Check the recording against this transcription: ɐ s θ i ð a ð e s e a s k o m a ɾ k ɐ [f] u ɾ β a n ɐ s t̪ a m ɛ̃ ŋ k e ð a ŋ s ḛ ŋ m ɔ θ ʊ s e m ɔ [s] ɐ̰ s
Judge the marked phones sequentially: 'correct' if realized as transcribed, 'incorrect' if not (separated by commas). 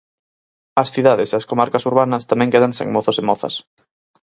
incorrect, incorrect